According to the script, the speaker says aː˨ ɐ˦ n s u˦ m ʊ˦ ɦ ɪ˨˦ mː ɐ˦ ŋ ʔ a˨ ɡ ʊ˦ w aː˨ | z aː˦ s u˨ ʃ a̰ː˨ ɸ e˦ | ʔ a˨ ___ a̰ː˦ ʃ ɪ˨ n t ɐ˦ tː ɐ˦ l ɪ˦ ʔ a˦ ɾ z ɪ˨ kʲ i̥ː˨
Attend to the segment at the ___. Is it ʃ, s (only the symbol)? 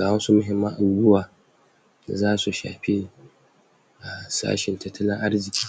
s